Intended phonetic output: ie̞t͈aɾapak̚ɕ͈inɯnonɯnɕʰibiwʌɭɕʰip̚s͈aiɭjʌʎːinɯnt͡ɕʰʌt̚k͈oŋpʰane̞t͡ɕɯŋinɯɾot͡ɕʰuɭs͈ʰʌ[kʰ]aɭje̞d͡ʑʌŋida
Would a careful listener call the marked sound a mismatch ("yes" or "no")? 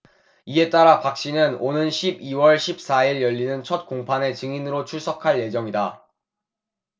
no